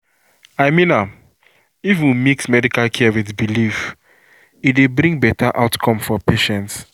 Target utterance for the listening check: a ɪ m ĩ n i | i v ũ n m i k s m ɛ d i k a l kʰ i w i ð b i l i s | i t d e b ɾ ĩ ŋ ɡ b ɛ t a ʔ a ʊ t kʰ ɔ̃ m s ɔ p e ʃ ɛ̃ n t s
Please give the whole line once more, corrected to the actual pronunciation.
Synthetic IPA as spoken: a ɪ m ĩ n a | i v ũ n m i k s m ɛ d i k a l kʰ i w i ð b i l i f | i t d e b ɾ ĩ ŋ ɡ b ɛ t a ʔ a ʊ t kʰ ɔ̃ m f ɔ p e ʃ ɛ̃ n t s